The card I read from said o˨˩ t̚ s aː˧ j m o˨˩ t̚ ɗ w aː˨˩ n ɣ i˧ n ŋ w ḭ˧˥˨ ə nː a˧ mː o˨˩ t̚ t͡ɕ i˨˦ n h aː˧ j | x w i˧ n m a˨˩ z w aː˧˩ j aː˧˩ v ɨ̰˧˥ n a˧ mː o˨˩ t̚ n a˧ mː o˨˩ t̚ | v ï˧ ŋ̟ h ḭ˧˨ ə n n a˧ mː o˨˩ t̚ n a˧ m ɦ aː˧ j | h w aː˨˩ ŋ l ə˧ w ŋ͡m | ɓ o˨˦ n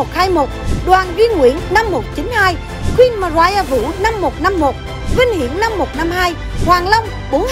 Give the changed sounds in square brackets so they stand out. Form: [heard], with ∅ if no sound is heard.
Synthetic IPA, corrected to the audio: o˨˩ t̚ [h] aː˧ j m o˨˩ t̚ ɗ w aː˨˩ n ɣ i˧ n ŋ w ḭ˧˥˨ ə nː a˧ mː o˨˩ t̚ t͡ɕ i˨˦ n h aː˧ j | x w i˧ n m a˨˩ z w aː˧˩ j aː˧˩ v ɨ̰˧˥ n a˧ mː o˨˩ t̚ n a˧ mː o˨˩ t̚ | v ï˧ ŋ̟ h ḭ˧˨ ə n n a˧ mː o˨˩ t̚ n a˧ m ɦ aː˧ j | h w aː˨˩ ŋ l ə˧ w ŋ͡m | ɓ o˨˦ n